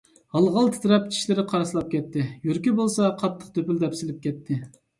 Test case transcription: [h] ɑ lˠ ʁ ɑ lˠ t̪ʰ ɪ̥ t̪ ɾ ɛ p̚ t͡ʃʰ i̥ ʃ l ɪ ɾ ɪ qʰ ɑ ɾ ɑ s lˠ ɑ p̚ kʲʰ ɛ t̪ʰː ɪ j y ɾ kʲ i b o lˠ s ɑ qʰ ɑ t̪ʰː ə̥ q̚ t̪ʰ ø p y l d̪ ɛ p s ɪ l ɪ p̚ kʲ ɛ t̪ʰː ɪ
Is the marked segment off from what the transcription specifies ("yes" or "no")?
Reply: no